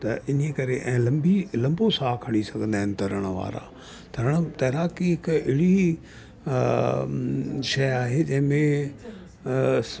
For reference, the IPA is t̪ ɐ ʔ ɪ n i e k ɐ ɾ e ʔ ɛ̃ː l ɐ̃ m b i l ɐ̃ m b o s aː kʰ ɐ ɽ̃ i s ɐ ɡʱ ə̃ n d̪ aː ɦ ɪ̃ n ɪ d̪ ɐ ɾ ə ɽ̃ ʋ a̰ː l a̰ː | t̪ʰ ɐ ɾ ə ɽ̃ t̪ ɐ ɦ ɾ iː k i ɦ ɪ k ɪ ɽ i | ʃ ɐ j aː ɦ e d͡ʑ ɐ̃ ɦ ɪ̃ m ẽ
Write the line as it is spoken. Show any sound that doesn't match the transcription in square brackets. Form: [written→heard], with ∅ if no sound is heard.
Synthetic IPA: t̪ ɐ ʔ ɪ n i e k ɐ ɾ e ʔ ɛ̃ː l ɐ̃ m b i l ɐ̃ m b o s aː kʰ ɐ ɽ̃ i s ɐ ɡʱ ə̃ n d̪ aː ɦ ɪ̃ n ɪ [d̪→t̪] ɐ ɾ ə ɽ̃ ʋ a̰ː [l→ɾ] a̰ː | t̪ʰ ɐ ɾ ə ɽ̃ t̪ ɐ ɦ ɾ [iː→aː] k i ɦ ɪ k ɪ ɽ i | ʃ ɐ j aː ɦ e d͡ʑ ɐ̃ ɦ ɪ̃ m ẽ